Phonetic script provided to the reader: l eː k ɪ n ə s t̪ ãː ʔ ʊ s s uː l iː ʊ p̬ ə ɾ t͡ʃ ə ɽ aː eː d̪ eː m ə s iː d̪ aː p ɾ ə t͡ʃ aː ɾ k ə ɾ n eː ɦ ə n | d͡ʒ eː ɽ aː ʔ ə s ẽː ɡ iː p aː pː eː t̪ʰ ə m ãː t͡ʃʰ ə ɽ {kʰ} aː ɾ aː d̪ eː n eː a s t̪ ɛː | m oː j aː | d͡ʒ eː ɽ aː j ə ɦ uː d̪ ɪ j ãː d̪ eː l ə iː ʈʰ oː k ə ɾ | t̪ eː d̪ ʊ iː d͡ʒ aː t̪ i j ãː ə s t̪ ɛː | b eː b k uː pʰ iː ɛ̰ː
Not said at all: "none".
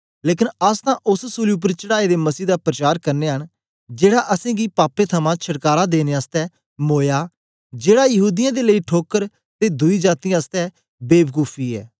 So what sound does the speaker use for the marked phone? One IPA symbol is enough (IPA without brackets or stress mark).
k